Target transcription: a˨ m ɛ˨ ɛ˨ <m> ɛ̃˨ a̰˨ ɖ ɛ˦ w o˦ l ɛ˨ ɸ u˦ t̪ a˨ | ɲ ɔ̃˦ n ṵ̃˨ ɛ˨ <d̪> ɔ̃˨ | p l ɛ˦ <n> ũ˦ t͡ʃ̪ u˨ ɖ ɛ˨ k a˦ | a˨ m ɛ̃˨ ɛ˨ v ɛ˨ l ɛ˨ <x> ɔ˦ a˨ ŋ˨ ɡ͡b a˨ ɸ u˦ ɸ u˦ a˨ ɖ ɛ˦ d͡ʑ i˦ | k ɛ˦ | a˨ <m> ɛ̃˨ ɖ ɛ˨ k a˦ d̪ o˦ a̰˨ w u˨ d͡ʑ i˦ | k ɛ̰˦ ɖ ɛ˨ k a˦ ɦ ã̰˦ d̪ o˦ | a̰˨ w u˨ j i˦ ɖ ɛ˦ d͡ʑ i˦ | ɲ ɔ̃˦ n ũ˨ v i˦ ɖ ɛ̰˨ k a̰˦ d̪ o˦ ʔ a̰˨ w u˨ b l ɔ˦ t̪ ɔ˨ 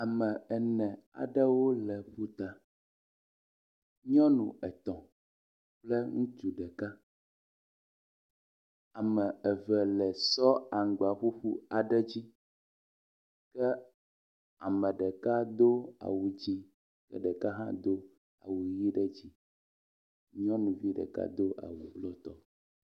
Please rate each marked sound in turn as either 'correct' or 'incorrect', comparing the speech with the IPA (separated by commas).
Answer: incorrect, incorrect, incorrect, incorrect, correct